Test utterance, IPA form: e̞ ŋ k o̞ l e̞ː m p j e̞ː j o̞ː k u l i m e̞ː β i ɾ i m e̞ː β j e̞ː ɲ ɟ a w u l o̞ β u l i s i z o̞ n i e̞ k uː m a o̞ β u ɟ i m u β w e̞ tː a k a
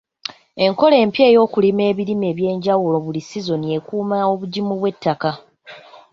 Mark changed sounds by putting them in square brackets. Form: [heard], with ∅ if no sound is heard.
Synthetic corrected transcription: e̞ ŋ k o̞ l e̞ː m p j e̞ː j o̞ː k u l i m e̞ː β i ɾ i m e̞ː β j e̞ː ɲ ɟ a w u l o̞ β u l i s i z o̞ n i e̞ k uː m a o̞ β u ɟ i m u β w e̞ tː a k a